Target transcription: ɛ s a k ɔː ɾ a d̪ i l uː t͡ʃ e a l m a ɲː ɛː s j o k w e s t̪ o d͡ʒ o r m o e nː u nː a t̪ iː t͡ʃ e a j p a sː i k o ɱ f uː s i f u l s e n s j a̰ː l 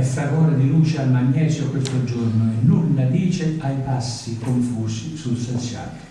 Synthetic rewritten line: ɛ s a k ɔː ɾ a d̪ i l uː t͡ʃ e a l m a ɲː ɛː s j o k w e s t̪ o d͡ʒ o r n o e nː u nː a d̪ iː t͡ʃ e a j p a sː i k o ɱ f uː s i s u l s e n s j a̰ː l

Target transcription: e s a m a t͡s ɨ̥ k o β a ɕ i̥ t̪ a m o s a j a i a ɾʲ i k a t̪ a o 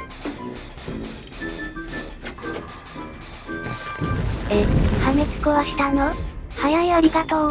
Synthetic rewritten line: e h a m e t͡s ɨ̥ k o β a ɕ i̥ t̪ a n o h a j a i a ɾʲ i k a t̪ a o

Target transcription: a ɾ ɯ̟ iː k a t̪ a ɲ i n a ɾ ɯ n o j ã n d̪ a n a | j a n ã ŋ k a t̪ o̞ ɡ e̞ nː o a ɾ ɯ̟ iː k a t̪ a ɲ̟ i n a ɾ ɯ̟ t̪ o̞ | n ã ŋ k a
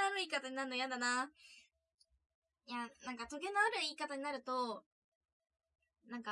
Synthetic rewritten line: a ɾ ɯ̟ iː k a t̪ a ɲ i n a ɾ ɯ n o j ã n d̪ a n a | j a n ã ŋ k a t̪ o̞ ɡ e̞ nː o a ɾ ɯ̟ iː k a t̪ a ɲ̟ i n a ɾ ɯ̟ t̪ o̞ | n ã ŋ k a

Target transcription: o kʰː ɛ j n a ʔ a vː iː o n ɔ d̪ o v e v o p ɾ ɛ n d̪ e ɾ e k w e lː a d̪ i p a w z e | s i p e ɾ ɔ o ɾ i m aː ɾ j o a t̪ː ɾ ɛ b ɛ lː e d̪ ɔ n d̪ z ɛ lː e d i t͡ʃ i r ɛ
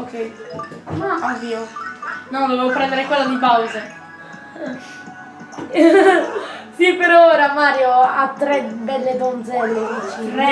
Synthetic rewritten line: o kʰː ɛ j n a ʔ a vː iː o n ɔ d̪ o v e v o p ɾ ɛ n d̪ e ɾ e k w e lː a d̪ i p a w z e | s i p e ɾ ɔ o ɾ a m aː ɾ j o a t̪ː ɾ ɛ b ɛ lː e d̪ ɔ n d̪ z ɛ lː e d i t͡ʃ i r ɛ

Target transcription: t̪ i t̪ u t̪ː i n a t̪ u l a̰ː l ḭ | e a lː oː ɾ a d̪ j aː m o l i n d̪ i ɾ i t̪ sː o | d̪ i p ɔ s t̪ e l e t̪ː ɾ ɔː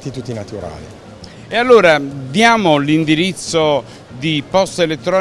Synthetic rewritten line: t̪ i t̪ u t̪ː i n a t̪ u ɾ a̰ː l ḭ | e a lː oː ɾ a d̪ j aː m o l i n d̪ i ɾ i t̪ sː o | d̪ i p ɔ s t̪ e l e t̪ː ɾ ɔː

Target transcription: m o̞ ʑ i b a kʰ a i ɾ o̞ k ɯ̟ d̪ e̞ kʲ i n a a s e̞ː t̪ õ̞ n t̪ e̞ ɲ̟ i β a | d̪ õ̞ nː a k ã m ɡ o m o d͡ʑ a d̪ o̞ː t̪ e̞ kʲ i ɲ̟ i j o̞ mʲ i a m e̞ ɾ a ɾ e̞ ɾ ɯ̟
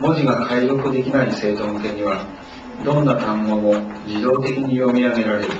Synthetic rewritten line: m o̞ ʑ i ɡ a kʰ a i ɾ o̞ k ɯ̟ d̪ e̞ kʲ i n a i s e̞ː t̪ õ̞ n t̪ e̞ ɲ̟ i β a | d̪ õ̞ nː a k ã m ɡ o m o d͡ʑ i d̪ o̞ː t̪ e̞ kʲ i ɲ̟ i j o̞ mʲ i a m e̞ ɾ a ɾ e̞ ɾ ɯ̟

